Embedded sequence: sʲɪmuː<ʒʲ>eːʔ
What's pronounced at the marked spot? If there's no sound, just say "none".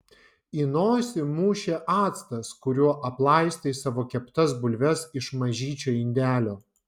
ʃʲ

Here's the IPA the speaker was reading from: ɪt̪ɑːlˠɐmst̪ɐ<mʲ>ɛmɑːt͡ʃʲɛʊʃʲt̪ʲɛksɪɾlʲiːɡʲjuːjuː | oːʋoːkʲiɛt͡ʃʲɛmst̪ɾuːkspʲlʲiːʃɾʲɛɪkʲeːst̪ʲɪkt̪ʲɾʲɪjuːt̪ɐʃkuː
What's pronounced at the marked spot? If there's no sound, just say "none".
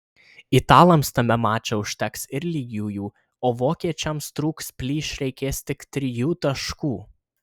mʲ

